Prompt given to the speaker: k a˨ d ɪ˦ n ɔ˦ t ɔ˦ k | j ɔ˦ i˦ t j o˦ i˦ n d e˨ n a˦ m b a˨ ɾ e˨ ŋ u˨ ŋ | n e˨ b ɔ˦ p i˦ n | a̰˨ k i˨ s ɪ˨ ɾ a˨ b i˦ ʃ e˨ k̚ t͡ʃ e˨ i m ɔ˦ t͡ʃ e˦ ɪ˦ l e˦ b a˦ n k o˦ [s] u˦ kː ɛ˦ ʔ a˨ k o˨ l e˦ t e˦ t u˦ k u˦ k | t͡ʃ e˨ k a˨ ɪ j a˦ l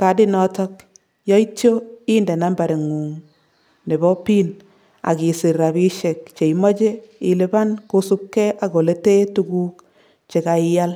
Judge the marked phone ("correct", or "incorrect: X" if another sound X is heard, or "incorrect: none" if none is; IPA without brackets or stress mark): correct